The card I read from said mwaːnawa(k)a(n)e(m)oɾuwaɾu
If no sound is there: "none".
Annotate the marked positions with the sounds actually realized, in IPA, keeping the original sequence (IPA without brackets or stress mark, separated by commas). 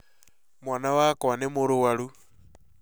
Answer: k, n, m